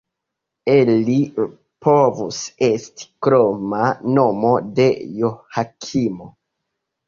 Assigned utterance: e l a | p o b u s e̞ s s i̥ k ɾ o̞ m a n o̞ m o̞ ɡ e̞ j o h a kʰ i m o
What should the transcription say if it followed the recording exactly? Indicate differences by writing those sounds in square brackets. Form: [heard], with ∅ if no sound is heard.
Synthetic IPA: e l [i] | p o [v] u s e̞ s [t] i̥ k ɾ o̞ m a n o̞ m o̞ [d] e̞ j o h a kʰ i m o